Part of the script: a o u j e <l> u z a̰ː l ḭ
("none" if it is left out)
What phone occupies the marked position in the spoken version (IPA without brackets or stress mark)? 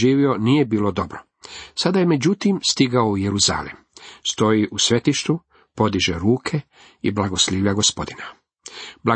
ɾ